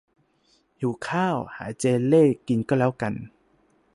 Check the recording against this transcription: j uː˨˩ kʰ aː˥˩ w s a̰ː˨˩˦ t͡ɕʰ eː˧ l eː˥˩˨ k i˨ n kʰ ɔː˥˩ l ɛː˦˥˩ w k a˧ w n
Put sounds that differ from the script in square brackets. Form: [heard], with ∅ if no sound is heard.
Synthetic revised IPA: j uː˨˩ kʰ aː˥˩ w [h] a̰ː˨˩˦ [t͡ɕ] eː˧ l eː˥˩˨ k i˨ n [k] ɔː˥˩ l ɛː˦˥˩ w k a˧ [∅] n